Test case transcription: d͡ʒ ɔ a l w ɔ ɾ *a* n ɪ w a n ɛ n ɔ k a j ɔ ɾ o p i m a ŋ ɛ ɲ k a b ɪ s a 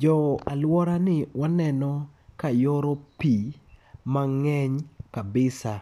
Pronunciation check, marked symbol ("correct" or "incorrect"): correct